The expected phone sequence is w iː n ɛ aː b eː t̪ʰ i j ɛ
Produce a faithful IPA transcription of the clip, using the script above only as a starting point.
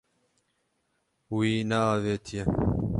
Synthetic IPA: w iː n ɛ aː v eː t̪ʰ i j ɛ

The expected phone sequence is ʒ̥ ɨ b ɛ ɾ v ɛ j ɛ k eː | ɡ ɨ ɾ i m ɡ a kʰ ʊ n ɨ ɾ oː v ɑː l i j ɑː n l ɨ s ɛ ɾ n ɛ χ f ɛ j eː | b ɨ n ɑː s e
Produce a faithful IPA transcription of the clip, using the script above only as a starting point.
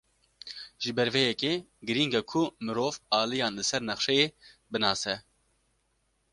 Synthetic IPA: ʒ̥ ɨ b ɛ ɾ v ɛ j ɛ k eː | ɡ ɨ ɾ i ŋ ɡ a kʰ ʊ m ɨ ɾ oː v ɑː l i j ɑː n l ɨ s ɛ ɾ n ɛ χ ʃ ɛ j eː | b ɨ n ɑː s ɛ

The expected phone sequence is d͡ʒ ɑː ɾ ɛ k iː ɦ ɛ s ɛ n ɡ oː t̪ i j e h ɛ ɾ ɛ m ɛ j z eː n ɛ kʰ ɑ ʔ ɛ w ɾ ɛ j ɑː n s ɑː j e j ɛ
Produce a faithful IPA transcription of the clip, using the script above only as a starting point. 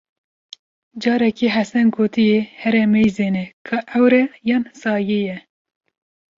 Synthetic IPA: d͡ʒ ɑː ɾ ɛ k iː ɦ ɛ s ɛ n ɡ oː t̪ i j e h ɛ ɾ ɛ m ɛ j z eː n ɛ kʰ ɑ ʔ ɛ w ɾ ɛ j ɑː n s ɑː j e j ɛ

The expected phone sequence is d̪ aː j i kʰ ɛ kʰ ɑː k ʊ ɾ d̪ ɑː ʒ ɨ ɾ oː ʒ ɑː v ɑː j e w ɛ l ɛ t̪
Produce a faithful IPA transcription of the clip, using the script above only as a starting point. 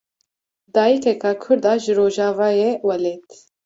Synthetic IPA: d̪ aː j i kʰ ɛ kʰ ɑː kʰ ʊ ɾ d̪ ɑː ʒ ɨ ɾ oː ʒ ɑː v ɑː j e w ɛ l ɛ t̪

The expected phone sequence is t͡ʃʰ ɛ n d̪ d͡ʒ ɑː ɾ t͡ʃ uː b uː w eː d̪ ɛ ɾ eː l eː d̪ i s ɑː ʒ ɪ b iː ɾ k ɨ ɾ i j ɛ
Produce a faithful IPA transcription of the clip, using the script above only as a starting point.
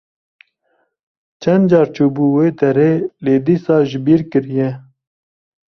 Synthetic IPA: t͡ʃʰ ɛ n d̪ d͡ʒ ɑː ɾ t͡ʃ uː b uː w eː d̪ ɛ ɾ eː l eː d̪ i s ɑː ʒ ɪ b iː ɾ k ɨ ɾ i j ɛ

